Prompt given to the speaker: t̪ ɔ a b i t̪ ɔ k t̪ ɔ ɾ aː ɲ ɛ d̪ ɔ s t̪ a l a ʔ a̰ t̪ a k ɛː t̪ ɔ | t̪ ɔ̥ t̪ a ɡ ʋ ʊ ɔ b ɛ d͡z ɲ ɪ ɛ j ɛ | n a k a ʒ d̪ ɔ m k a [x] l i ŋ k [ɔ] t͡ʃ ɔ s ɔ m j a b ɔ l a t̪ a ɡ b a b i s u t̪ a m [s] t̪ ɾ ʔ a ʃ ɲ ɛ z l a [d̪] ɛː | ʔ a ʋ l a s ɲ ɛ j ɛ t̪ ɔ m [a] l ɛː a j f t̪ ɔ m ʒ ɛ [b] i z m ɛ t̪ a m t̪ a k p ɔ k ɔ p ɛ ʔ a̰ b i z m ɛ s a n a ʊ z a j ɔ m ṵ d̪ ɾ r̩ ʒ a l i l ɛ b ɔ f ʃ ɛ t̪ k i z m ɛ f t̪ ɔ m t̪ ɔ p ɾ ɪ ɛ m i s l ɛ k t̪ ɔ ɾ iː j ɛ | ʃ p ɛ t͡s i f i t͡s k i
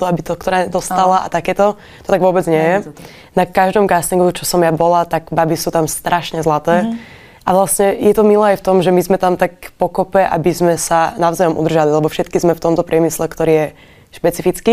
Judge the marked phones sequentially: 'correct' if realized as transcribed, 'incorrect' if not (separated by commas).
incorrect, incorrect, correct, incorrect, incorrect, incorrect